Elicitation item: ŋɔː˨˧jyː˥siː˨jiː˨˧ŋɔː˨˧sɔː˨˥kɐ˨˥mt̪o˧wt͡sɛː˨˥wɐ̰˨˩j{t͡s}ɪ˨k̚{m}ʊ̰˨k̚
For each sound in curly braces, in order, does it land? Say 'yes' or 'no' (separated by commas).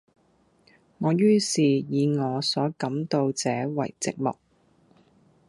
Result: yes, yes